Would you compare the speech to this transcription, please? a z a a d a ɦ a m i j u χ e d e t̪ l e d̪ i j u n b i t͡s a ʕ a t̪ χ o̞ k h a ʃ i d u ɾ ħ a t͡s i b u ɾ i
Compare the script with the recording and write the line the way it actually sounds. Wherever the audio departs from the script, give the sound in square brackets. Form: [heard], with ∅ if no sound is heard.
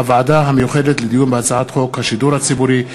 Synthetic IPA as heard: a [v] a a d a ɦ a m [e] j u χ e d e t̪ l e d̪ i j u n b [a] t͡s a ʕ a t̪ χ o̞ k h a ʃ i d u ɾ [h] a t͡s i b u ɾ i